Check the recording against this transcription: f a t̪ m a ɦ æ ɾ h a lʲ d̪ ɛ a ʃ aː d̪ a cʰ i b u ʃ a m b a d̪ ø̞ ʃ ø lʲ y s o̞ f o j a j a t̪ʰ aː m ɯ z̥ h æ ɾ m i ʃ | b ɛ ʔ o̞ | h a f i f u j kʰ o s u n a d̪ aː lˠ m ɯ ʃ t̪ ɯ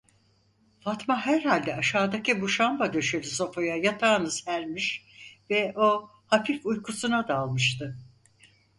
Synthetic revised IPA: f a t̪ m a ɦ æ ɾ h a lʲ d̪ ɛ a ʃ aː d̪ a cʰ i b u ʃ a m b a d̪ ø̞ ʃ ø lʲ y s o̞ f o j a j a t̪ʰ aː n ɯ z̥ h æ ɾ m i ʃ | v ɛ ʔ o̞ | h a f i f u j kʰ u s u n a d̪ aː lˠ m ɯ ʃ t̪ ɯ